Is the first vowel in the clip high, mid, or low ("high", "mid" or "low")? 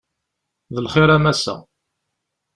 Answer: mid